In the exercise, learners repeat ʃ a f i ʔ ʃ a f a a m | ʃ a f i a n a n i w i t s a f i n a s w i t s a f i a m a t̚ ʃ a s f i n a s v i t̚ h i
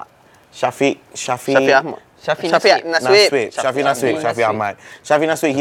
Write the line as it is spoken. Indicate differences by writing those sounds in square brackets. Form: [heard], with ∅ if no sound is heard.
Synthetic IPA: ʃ a f i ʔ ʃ a f [i] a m | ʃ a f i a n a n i w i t [ʃ] a f i n a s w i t [ʃ] a f i a m a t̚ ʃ a [∅] f i n a s [w] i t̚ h i